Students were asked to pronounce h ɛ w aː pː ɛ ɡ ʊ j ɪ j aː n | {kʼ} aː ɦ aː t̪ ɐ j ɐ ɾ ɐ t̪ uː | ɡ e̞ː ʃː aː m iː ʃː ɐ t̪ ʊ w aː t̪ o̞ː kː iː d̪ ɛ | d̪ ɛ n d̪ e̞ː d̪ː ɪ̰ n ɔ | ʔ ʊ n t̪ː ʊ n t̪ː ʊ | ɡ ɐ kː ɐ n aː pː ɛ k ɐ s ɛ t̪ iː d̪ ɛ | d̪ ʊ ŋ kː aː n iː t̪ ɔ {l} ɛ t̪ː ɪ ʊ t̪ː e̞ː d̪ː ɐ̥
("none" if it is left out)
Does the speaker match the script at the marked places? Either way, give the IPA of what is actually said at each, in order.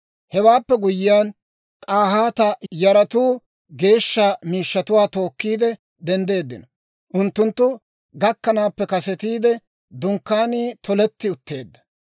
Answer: kʼ, l

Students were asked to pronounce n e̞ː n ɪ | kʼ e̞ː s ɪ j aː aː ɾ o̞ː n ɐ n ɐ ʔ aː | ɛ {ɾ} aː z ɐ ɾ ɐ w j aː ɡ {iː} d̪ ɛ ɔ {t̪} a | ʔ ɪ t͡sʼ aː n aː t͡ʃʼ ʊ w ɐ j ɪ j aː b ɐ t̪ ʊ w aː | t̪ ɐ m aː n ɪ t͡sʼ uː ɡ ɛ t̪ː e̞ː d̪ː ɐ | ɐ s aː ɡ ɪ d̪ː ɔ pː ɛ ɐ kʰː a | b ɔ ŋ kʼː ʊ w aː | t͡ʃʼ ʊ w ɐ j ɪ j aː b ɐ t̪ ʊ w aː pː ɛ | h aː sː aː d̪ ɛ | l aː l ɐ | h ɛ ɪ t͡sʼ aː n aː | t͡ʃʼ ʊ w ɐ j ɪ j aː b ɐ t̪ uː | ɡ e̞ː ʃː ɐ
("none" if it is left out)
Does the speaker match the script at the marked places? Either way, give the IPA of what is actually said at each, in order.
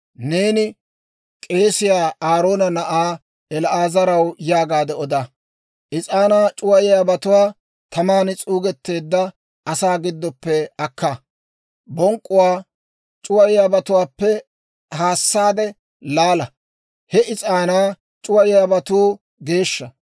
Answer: l, aː, d̪

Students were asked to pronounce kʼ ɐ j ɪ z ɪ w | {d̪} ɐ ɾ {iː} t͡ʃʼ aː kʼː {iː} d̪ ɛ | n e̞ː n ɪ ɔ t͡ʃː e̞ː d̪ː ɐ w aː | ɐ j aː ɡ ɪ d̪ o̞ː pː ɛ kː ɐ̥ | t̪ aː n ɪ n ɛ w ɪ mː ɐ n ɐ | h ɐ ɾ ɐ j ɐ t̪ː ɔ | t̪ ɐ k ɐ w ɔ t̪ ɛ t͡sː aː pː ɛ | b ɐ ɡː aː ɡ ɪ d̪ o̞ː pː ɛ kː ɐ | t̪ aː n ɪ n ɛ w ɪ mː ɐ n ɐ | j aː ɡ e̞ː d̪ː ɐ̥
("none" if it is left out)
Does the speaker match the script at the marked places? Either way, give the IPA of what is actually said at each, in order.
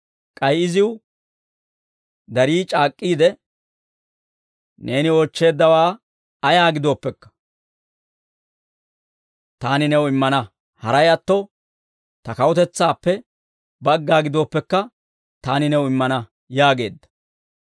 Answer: d̪, iː, iː

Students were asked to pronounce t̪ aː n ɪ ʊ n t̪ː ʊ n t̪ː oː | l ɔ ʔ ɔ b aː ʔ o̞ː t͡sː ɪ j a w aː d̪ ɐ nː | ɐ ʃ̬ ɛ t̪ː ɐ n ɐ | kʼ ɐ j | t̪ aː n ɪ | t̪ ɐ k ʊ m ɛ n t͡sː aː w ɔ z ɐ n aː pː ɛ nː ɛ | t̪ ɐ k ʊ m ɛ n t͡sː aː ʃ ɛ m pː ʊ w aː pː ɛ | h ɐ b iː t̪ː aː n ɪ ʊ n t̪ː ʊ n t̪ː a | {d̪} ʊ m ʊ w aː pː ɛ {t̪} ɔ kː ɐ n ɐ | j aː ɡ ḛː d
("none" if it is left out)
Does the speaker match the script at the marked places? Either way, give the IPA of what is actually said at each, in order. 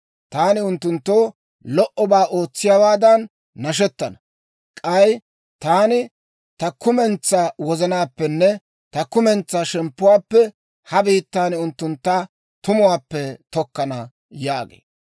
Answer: t̪, t̪

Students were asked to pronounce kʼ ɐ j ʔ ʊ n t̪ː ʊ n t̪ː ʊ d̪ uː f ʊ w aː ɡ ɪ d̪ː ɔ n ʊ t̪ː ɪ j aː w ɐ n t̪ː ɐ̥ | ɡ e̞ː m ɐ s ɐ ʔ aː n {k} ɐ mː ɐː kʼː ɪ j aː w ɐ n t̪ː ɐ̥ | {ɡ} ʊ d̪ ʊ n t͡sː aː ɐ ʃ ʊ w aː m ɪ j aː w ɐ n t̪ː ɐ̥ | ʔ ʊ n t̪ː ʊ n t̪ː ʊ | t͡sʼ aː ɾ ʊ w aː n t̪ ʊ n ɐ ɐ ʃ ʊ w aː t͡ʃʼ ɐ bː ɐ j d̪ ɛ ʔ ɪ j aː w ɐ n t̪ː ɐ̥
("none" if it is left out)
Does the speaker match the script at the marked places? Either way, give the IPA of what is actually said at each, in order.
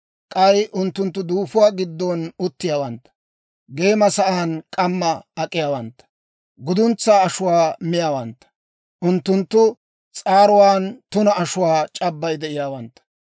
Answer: kʼ, ɡ

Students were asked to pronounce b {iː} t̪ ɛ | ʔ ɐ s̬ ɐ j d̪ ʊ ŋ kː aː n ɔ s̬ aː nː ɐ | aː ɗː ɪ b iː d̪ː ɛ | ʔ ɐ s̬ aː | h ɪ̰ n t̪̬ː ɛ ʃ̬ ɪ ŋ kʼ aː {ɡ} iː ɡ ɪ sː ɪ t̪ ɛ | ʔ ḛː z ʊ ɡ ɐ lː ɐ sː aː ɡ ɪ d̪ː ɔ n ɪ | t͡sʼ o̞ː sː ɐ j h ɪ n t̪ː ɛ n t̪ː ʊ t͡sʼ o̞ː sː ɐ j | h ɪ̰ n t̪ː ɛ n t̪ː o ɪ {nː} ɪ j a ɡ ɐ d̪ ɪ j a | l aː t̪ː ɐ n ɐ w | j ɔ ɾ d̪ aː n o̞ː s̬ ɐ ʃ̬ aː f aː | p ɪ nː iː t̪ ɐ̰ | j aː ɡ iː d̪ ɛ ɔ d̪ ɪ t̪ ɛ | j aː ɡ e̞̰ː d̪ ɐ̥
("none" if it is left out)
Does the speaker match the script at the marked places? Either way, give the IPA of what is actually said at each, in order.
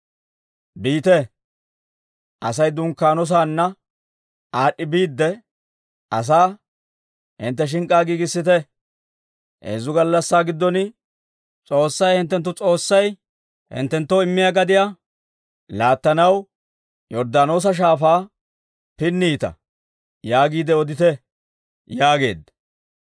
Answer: iː, ɡ, mː

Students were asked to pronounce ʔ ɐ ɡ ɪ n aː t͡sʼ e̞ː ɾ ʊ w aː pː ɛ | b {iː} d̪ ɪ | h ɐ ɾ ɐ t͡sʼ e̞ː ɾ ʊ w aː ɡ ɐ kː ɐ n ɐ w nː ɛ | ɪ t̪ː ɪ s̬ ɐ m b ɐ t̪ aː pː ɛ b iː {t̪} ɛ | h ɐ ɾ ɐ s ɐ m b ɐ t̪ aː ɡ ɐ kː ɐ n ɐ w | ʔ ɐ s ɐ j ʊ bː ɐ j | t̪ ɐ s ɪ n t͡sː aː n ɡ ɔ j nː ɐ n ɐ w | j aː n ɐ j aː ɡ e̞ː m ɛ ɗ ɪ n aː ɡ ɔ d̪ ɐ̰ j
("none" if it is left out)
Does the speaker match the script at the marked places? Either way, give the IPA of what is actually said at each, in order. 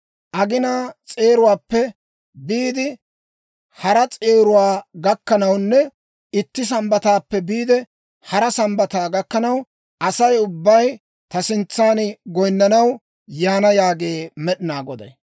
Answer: iː, d̪

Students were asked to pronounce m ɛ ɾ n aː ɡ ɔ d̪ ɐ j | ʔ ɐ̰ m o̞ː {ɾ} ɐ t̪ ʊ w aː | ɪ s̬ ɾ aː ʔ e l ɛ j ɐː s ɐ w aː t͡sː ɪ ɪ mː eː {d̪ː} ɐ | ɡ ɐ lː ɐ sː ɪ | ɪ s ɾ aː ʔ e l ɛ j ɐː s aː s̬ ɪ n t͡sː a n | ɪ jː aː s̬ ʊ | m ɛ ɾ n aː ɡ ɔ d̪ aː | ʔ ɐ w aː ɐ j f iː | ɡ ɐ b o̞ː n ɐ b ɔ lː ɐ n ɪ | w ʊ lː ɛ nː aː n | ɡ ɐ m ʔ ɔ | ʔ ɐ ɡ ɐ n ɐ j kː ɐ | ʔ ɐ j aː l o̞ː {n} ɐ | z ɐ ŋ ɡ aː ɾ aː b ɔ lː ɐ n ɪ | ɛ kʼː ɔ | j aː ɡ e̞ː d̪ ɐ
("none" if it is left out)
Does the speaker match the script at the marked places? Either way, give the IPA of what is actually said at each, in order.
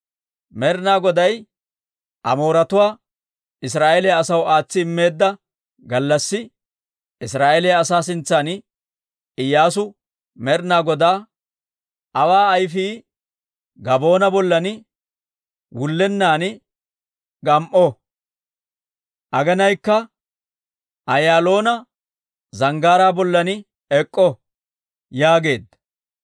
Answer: ɾ, d̪ː, n

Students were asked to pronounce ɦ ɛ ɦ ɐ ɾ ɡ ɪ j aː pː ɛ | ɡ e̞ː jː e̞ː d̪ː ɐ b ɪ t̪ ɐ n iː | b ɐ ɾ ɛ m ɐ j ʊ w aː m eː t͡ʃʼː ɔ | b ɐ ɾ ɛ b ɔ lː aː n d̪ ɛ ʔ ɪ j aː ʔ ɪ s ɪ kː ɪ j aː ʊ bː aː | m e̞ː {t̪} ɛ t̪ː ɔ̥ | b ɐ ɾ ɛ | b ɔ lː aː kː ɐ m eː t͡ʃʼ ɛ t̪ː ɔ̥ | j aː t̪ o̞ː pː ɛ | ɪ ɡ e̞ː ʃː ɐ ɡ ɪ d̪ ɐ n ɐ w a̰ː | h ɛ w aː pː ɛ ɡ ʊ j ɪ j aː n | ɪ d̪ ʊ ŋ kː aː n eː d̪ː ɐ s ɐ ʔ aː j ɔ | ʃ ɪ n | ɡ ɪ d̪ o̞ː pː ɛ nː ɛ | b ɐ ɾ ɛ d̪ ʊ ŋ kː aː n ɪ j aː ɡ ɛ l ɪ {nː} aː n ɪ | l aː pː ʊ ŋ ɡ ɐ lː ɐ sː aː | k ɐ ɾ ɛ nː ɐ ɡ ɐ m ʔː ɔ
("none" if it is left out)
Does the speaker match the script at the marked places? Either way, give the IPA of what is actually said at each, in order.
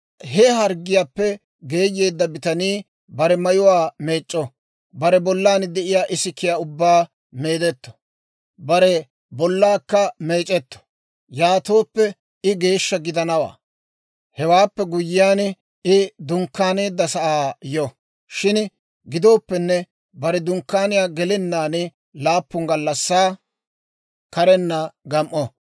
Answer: d̪, nː

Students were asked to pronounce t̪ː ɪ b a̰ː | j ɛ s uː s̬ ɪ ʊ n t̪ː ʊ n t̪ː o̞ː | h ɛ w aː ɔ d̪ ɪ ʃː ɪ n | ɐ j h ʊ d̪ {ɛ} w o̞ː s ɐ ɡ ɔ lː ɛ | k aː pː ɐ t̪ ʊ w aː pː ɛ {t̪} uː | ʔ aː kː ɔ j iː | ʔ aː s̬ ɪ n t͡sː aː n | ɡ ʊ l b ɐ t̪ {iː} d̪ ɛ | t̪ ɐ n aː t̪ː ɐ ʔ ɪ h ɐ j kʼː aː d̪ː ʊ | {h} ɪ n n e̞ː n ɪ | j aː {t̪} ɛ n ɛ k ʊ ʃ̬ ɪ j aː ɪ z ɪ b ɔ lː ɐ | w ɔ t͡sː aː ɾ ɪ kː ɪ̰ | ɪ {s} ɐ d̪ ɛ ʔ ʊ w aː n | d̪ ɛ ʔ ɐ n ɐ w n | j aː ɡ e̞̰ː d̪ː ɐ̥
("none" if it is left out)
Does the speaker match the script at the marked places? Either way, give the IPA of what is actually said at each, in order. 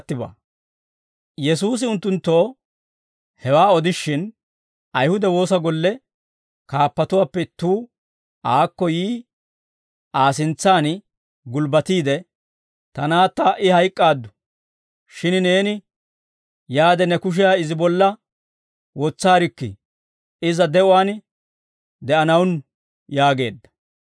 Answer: ɛ, t̪, iː, ʃ, d̪, z

